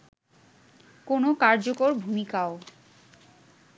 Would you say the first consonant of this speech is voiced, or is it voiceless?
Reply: voiceless